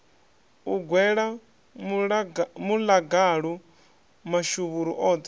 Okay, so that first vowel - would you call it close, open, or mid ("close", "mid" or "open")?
close